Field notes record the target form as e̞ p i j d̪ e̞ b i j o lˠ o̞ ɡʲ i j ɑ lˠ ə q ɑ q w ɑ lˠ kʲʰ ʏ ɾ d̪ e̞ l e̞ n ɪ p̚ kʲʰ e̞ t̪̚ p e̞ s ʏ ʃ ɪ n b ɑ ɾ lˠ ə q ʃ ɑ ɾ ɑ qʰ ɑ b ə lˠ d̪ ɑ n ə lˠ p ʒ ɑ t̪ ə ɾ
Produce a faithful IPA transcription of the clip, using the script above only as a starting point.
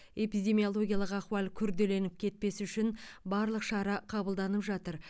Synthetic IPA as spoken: e̞ p i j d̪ e̞ m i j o lˠ o̞ ɡʲ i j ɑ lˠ ə q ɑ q w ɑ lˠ kʲʰ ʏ ɾ d̪ e̞ l e̞ n ɪ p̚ kʲʰ e̞ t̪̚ p e̞ s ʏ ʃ ɪ n b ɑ ɾ lˠ ə q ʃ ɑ ɾ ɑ qʰ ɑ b ə lˠ d̪ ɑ n ə p ʒ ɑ t̪ ə ɾ